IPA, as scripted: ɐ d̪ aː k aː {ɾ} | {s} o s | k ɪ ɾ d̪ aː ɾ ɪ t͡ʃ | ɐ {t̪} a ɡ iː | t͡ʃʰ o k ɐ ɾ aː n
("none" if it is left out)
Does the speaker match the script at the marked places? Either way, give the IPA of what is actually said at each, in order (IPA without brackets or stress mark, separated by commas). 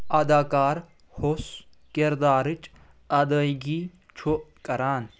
ɾ, h, d̪